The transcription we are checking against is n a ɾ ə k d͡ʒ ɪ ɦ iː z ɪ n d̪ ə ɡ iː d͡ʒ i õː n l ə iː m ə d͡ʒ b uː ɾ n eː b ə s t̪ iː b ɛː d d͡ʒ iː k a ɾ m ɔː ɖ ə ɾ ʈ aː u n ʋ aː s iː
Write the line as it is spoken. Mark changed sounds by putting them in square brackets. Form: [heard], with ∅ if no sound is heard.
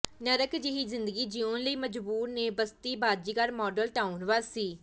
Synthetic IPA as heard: n [ə] ɾ ə k d͡ʒ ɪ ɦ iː z ɪ n d̪ ə ɡ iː d͡ʒ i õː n l ə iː m ə d͡ʒ b uː ɾ n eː b ə s t̪ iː b [aː] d d͡ʒ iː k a ɾ m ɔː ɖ ə [l] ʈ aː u n ʋ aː s iː